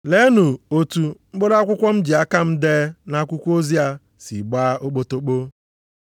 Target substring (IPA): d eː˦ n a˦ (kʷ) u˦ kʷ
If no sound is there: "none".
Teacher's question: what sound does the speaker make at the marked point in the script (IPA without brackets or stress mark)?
kʷ